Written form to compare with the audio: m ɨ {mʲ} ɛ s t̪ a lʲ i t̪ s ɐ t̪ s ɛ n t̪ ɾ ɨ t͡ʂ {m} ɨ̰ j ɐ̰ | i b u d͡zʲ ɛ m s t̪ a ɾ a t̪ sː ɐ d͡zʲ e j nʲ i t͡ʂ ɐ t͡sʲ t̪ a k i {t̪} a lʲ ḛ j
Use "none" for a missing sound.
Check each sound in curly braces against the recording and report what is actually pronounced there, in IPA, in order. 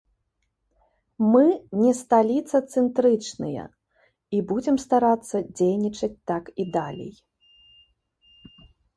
nʲ, n, d̪

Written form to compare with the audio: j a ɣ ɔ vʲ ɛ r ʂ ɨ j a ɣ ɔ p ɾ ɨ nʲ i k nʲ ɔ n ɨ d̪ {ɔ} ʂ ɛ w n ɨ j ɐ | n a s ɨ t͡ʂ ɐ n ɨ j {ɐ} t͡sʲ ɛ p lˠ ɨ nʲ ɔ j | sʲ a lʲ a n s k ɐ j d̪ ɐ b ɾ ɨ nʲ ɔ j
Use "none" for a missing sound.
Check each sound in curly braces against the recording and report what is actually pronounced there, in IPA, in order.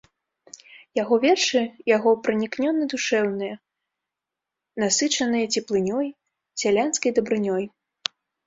u, ɐ

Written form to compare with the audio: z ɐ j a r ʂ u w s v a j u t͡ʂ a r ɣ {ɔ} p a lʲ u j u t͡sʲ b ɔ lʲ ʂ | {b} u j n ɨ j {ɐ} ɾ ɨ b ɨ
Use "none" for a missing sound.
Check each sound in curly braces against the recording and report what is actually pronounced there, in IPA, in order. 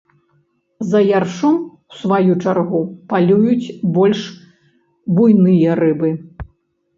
u, b, ɐ

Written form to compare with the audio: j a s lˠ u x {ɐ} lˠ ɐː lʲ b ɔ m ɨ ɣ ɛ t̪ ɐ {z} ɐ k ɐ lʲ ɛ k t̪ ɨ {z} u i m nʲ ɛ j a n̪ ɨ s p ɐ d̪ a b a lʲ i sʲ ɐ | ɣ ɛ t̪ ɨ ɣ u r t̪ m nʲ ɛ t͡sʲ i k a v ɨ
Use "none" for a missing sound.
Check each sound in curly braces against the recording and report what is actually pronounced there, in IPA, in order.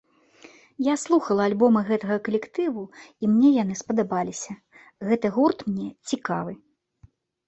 ɐ, ɣ, v

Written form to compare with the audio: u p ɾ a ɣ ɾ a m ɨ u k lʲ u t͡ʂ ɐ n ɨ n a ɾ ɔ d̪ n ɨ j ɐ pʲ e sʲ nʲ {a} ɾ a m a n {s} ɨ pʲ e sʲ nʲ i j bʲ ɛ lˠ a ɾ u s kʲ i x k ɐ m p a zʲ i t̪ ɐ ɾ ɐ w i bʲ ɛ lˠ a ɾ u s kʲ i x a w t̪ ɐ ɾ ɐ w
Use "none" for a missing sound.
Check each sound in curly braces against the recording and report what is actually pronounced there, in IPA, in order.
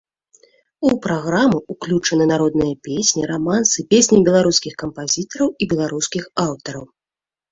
i, s

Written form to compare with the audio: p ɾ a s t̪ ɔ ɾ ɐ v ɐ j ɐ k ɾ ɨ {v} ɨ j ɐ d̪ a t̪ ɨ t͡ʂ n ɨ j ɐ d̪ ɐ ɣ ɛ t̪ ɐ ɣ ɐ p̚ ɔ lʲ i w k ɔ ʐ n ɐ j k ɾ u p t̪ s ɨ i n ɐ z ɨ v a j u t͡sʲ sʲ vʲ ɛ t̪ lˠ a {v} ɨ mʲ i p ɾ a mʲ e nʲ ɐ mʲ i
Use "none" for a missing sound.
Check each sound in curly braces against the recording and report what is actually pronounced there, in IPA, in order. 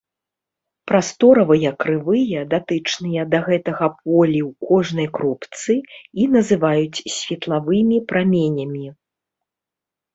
v, v

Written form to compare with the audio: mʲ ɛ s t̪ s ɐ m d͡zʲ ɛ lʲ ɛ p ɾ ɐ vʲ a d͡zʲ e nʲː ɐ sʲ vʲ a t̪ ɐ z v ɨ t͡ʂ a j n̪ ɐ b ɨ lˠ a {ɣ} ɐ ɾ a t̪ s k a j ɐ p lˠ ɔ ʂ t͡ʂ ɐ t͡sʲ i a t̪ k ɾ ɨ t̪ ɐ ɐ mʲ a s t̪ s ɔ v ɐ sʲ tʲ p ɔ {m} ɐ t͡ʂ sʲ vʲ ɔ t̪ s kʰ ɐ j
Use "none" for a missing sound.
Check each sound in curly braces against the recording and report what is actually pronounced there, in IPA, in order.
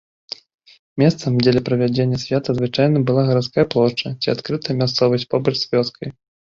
ɣ, b

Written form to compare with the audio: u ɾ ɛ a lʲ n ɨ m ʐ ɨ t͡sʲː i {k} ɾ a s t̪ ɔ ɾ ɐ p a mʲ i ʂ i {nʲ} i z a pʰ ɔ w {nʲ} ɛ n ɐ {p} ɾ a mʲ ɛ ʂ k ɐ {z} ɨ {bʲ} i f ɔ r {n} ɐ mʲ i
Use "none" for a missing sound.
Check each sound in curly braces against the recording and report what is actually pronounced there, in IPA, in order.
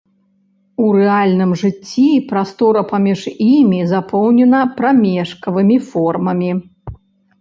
p, mʲ, nʲ, p, v, mʲ, m

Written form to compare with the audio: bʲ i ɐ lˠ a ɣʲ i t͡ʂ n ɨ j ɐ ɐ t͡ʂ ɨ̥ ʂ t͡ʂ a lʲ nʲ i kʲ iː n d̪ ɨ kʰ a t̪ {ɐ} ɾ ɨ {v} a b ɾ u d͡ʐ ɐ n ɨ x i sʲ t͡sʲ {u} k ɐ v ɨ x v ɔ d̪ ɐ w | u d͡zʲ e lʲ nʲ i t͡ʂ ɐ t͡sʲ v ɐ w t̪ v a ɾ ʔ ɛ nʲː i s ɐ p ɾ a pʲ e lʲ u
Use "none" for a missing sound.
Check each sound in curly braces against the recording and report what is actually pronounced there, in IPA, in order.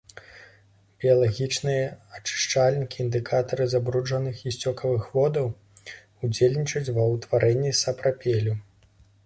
ɐ, z, ɔ

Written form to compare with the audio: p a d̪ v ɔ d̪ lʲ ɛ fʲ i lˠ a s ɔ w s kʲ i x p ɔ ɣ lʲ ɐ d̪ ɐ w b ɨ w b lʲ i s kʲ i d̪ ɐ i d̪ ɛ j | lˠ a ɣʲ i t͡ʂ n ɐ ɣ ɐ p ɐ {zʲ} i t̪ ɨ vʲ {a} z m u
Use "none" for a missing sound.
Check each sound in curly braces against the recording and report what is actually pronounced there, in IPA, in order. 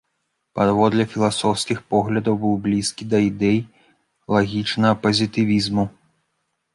zʲ, i

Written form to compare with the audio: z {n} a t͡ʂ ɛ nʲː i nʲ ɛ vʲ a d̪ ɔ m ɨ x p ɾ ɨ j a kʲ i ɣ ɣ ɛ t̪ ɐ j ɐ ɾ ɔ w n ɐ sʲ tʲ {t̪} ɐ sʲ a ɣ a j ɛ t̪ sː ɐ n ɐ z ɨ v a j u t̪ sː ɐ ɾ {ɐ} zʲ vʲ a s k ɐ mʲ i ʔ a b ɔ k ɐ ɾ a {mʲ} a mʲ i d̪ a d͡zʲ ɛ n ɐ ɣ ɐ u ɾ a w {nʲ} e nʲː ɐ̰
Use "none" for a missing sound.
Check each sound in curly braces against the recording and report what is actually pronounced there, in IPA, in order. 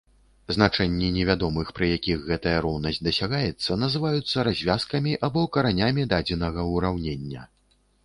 n, d̪, a, nʲ, nʲ

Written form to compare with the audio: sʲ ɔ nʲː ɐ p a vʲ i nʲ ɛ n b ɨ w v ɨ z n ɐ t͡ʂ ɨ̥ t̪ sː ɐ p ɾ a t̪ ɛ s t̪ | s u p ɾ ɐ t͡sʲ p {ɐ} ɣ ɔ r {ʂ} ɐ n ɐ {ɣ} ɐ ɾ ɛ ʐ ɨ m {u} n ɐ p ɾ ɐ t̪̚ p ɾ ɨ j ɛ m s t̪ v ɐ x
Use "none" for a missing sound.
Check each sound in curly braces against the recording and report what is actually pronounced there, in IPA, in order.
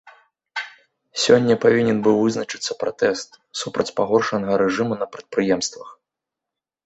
a, ʂ, ɣ, u

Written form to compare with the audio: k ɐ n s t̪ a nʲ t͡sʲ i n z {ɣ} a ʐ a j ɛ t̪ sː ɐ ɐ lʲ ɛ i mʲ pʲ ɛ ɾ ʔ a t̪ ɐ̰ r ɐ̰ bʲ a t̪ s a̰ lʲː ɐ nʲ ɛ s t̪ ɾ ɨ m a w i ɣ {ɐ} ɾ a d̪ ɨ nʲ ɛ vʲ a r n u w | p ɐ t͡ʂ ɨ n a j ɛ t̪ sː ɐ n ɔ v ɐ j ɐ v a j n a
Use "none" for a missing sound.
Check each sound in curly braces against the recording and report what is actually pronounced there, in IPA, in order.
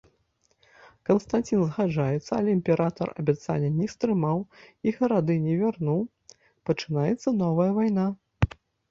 ɣ, ɐ

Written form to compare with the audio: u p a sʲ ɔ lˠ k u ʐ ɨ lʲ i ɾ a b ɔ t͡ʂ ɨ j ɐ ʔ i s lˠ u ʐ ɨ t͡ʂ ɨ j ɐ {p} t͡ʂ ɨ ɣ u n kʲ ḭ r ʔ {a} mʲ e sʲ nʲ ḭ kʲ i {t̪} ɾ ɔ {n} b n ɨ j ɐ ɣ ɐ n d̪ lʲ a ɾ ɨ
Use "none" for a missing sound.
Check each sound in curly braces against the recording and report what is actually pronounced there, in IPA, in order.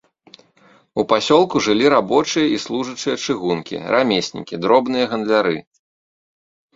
none, a, d̪, none

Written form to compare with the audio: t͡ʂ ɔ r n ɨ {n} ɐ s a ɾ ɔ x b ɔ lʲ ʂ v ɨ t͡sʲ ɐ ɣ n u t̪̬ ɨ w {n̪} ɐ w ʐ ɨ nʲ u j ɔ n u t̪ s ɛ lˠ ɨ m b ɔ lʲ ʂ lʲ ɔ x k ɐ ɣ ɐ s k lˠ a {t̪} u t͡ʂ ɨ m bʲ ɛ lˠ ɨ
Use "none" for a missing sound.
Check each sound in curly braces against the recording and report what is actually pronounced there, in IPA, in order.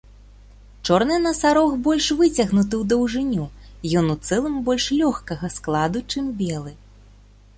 n, d̪, d̪

